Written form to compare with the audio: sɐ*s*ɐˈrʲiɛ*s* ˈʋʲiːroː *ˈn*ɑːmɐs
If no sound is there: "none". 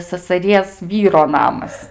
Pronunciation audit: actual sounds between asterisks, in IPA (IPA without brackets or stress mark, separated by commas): s, s, n